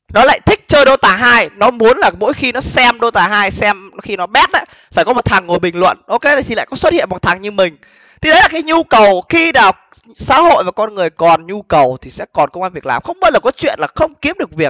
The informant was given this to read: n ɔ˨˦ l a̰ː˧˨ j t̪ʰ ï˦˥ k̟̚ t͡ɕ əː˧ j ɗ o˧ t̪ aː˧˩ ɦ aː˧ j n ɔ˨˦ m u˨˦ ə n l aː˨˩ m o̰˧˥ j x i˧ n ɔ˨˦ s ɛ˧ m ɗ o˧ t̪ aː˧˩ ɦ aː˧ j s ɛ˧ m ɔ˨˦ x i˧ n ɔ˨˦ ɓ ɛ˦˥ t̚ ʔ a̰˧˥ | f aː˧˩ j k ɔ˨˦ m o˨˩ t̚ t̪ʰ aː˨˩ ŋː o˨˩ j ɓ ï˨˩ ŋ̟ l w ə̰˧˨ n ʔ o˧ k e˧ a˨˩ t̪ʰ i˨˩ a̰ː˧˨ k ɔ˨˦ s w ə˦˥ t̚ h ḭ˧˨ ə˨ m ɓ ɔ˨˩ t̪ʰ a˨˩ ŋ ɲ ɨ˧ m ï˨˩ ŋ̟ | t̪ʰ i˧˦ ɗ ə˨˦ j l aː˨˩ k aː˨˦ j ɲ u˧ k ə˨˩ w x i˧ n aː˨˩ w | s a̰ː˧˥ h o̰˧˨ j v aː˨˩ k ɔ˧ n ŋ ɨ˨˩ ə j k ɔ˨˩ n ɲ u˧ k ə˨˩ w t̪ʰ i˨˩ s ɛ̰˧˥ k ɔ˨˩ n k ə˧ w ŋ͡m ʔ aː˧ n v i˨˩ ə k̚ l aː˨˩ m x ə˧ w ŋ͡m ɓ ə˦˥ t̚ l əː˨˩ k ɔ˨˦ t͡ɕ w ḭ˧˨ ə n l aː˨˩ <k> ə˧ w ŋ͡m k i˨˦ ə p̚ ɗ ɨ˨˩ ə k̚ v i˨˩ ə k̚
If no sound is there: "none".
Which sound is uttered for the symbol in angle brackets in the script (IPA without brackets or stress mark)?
x